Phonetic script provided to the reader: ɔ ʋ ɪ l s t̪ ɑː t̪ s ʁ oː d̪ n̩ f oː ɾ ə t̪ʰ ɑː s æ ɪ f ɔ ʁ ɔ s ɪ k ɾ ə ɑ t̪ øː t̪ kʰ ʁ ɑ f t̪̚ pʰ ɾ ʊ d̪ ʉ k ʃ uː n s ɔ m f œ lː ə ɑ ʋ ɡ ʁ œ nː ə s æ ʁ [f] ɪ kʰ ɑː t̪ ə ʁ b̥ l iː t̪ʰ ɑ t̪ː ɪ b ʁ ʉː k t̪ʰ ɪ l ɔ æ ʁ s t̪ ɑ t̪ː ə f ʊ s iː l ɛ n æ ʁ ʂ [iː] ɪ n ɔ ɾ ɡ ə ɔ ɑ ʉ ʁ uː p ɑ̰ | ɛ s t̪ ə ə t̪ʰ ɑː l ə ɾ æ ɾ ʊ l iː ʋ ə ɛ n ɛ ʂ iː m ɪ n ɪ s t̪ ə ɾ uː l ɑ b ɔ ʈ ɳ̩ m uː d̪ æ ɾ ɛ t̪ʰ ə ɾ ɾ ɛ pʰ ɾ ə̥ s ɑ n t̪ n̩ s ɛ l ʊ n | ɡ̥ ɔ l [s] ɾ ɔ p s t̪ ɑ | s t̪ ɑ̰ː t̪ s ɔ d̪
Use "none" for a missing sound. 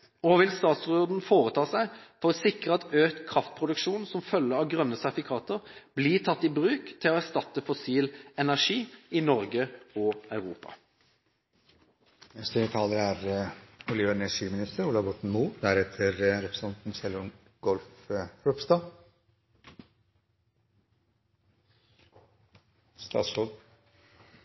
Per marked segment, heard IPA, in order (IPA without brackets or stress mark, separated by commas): f, iː, f